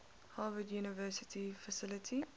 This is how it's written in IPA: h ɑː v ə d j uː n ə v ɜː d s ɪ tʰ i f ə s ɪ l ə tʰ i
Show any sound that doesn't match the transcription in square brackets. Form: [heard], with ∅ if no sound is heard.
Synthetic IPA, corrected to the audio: h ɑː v ə d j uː n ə v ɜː [∅] s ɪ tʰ i f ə s ɪ l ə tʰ i